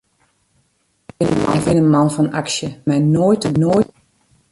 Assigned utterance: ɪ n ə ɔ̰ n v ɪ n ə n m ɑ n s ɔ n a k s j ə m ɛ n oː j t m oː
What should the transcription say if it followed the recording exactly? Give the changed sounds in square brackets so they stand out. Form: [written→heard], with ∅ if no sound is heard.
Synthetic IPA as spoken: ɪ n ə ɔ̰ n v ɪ n ə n m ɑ n [s→f] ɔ n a k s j ə m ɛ n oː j t [m→n] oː